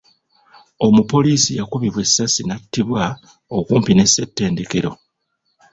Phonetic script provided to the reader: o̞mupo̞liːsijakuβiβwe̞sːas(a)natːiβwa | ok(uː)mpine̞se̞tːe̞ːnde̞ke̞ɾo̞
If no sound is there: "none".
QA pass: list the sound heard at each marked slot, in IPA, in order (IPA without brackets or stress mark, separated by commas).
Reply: i, uː